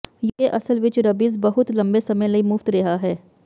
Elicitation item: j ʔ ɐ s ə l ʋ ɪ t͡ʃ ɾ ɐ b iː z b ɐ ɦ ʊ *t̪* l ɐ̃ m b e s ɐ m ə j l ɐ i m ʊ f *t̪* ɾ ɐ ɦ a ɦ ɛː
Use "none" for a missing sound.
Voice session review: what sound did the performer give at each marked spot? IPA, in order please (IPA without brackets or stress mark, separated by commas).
t̪, t̪